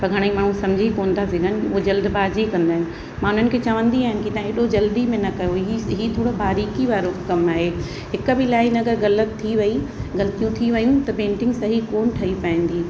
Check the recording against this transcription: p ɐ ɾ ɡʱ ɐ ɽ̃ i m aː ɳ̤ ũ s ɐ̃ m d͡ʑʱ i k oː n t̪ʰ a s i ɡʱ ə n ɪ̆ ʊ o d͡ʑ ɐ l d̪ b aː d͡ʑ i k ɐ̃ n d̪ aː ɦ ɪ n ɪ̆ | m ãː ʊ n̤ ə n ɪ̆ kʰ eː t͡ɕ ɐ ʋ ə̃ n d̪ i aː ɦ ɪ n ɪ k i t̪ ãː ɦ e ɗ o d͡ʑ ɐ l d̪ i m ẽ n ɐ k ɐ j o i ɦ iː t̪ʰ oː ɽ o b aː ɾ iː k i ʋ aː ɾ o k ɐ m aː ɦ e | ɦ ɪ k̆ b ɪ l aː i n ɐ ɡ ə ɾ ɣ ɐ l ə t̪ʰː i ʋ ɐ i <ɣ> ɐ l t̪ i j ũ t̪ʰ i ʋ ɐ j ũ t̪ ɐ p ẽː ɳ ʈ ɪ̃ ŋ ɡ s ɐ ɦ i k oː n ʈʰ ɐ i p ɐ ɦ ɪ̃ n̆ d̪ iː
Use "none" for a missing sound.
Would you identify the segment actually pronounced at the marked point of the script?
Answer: ɣ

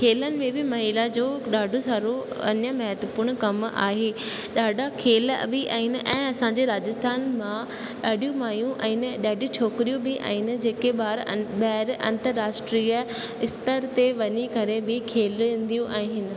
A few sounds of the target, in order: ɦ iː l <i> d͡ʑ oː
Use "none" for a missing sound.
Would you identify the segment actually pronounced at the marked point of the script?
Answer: a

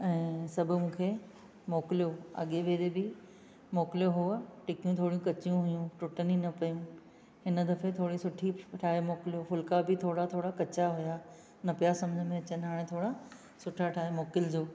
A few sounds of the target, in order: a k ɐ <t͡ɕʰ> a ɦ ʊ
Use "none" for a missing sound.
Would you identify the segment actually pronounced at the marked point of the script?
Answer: t͡ɕ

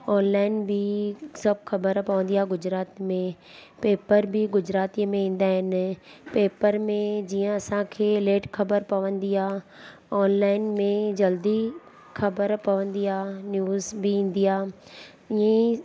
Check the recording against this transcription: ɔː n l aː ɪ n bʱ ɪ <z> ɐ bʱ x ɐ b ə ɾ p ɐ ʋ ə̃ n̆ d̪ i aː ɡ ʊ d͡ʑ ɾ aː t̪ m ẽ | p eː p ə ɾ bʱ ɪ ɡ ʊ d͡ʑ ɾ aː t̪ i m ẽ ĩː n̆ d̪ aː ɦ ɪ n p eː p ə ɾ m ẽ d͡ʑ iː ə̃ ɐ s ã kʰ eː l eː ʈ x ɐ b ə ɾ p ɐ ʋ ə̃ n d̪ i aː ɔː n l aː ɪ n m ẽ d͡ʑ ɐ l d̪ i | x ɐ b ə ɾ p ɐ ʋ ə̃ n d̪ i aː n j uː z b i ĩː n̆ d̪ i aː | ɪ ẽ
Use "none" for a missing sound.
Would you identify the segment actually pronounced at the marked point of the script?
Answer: s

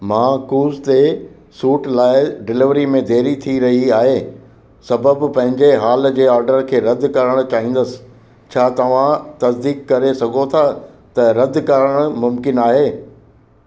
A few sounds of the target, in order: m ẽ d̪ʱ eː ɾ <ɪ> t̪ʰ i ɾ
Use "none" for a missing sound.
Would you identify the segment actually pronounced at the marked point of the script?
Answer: i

